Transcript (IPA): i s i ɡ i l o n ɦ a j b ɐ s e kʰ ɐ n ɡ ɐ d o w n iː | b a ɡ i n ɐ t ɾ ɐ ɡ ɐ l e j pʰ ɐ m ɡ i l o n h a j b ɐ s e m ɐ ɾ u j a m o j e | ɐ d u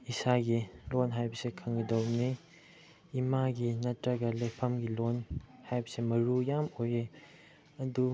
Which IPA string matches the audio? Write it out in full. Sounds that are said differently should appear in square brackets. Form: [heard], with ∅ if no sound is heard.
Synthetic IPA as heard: i s [a] ɡ i l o n ɦ a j b ɐ s e kʰ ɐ [ŋ] ɡ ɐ d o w n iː | [m] a ɡ i n ɐ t ɾ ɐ ɡ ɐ l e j pʰ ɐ m ɡ i l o n h a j b ɐ s e m ɐ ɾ u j a m o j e | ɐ d u